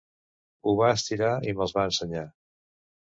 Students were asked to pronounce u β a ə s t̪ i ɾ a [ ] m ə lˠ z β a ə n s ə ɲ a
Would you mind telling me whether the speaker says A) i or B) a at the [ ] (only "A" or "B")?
A